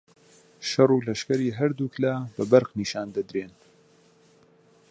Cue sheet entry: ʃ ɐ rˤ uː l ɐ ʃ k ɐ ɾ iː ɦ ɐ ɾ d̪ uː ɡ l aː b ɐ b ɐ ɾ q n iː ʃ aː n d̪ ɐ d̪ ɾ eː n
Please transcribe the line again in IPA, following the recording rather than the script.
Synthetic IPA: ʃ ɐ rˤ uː l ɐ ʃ k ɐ ɾ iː ɦ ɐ ɾ d̪ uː k l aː b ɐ b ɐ ɾ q n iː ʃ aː n d̪ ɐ d̪ ɾ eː n